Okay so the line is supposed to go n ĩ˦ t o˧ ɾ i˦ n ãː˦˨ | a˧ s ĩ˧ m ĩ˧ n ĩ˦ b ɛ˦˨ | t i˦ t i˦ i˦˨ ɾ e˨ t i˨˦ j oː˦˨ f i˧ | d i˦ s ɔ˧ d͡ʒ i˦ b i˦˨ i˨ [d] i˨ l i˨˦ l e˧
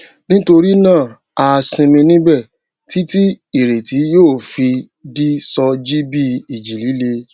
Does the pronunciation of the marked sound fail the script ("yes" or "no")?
yes